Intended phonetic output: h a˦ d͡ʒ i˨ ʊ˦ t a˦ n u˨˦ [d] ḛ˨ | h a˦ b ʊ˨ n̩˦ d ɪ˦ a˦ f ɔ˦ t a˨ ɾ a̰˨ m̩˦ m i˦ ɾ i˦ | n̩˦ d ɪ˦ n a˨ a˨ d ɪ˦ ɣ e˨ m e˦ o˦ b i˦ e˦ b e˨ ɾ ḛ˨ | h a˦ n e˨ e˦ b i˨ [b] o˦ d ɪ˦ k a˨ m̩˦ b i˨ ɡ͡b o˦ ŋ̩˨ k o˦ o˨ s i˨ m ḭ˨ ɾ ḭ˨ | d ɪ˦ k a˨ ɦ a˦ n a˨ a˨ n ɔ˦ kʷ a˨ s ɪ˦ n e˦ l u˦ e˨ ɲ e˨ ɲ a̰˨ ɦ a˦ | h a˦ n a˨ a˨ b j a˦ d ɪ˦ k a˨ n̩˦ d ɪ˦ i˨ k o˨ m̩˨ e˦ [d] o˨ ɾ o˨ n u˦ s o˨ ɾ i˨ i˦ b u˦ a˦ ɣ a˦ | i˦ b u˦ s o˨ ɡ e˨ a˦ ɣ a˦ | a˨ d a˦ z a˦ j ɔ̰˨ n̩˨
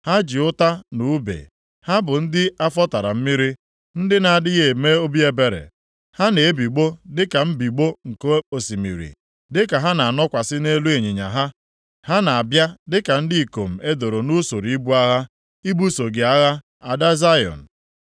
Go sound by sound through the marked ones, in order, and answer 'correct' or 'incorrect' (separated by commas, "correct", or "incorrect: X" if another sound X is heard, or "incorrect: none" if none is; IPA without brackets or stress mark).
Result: incorrect: b, incorrect: ɡ͡b, correct